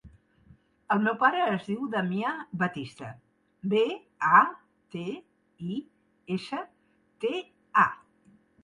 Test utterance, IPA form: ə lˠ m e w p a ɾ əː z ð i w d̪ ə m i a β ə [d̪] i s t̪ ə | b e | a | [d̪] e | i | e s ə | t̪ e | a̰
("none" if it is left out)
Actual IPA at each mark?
t̪, t̪

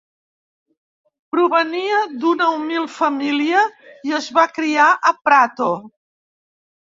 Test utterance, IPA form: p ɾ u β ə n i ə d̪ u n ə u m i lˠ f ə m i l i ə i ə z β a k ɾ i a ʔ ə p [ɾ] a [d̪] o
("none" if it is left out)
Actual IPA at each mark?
ɾ, t̪

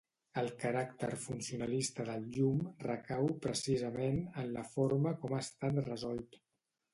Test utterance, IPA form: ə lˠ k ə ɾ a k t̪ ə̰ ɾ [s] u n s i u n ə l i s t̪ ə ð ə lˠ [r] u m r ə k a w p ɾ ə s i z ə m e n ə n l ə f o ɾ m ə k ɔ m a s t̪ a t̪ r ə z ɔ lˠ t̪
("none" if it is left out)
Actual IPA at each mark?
f, ʎ

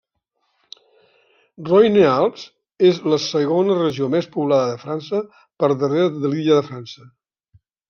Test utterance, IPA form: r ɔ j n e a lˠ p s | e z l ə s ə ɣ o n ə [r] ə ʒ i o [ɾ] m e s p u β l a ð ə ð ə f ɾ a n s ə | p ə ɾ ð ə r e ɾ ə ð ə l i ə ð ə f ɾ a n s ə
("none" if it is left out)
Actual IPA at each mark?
r, none

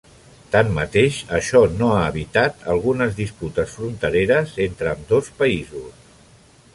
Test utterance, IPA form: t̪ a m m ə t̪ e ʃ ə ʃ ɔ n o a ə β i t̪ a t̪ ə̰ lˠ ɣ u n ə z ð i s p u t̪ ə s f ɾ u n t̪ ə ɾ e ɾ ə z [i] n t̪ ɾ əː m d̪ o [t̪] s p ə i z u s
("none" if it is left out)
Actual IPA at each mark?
e, none

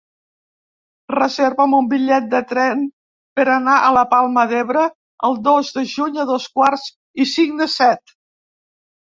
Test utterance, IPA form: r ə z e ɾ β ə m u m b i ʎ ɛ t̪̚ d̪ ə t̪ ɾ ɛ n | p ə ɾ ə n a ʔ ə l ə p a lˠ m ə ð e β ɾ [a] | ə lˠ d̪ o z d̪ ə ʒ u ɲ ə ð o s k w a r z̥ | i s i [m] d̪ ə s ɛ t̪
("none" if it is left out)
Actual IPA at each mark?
ə, ŋ

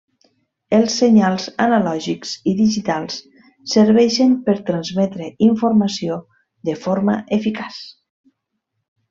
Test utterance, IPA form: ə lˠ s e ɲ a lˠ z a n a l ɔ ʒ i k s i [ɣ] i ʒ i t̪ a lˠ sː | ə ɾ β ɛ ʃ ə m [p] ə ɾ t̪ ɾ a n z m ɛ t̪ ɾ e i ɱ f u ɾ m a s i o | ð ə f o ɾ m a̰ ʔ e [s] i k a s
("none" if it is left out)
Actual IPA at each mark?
ð, p, f

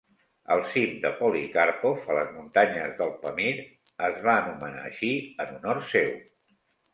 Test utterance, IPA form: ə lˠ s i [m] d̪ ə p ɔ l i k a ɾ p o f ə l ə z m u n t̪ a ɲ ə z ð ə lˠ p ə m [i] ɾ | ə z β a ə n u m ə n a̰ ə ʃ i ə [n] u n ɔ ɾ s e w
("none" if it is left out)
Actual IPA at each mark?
m, i, n

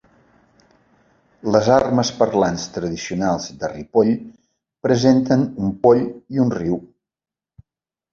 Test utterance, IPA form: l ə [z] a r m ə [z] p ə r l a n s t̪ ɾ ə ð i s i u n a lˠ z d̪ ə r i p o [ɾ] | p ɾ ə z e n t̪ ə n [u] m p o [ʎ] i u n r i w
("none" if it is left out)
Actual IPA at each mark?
z, s, ʎ, u, ʎ

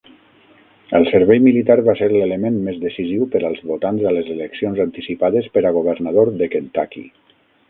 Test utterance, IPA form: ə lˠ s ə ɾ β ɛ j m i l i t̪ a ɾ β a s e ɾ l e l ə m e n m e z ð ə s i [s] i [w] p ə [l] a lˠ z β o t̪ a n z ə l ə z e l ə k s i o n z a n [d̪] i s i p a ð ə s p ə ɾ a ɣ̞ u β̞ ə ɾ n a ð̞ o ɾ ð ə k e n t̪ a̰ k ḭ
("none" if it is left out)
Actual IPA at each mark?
z, w, ɾ, t̪

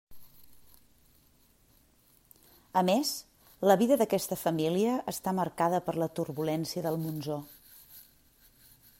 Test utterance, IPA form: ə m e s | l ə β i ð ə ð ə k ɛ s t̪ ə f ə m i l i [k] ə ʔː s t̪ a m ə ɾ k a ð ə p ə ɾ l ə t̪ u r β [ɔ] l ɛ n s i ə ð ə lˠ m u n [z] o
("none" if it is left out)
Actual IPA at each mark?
none, u, z

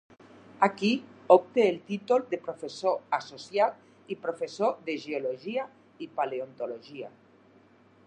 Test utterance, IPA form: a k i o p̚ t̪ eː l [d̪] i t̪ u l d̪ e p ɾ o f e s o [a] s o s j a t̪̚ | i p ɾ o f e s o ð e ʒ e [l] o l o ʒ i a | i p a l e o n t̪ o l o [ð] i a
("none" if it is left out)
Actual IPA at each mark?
t̪, a, none, ʒ

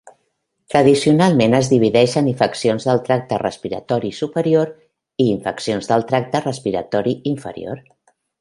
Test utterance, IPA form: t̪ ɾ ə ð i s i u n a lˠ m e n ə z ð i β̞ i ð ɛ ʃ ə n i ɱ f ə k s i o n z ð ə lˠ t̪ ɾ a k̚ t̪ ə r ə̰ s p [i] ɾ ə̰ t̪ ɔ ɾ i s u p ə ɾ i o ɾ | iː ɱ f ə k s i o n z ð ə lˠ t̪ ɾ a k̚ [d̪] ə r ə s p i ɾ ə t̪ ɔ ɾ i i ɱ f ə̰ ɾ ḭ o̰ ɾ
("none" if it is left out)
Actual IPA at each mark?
i, t̪

